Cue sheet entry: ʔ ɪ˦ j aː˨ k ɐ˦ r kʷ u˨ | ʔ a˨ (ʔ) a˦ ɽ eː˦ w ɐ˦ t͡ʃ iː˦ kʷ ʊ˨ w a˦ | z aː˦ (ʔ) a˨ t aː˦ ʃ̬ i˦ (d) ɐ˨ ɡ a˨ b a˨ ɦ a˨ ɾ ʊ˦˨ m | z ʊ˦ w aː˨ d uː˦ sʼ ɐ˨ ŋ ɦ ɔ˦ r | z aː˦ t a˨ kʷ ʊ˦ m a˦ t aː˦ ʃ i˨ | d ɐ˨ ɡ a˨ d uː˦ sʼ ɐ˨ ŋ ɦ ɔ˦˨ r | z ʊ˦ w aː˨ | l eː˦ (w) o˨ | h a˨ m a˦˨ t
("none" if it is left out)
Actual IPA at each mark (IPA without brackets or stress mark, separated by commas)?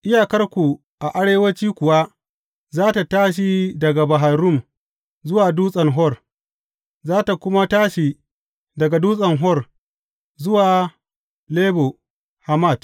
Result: ʔ, t, d, b